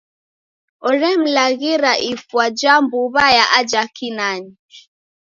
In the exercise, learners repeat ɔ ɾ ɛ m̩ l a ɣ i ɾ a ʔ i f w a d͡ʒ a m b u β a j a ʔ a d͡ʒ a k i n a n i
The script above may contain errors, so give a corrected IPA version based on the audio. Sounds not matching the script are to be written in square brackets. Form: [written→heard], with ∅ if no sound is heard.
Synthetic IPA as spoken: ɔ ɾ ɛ m̩ l a ɣ i ɾ a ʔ i f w a d͡ʒ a m b u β a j a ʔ a d͡ʒ a k i n a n i